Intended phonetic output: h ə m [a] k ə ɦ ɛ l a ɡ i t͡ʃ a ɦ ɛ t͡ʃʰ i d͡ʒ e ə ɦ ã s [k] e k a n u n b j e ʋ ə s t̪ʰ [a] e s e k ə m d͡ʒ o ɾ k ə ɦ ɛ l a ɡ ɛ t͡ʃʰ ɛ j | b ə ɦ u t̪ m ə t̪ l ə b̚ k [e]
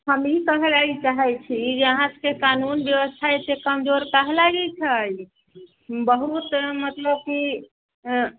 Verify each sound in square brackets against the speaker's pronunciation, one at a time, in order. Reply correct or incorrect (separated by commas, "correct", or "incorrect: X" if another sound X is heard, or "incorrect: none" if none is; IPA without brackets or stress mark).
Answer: incorrect: i, correct, correct, incorrect: i